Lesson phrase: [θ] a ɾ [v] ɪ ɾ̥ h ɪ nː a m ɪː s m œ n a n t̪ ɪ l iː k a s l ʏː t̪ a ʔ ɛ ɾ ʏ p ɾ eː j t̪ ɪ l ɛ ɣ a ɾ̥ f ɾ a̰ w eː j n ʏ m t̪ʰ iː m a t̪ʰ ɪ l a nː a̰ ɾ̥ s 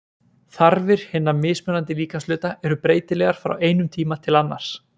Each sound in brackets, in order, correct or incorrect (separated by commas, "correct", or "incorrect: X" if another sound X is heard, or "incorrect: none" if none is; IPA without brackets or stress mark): correct, correct